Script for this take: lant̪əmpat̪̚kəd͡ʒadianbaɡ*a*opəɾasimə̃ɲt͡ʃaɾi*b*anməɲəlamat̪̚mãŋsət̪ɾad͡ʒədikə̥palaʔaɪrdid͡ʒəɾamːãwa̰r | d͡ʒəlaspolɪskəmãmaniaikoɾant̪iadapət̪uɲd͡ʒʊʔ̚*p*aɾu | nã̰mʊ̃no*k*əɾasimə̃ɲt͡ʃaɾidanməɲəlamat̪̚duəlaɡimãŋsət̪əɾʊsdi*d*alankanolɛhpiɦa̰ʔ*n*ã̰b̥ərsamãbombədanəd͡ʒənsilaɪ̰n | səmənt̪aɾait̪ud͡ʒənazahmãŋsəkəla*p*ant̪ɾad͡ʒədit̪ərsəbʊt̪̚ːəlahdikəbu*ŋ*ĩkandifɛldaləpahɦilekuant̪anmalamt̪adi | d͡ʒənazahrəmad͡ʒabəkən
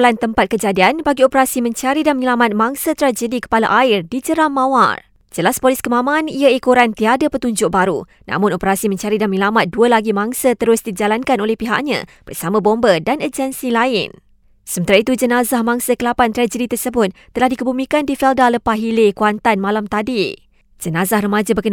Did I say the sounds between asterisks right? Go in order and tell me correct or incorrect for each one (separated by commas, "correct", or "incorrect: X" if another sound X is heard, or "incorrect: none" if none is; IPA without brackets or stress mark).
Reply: incorrect: i, incorrect: d, incorrect: b, incorrect: p, incorrect: d͡ʒ, incorrect: ɲ, correct, incorrect: m